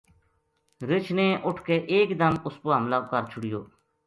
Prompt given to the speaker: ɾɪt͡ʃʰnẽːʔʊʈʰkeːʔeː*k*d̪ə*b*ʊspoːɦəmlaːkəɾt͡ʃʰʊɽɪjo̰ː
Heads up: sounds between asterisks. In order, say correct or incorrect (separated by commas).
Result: correct, incorrect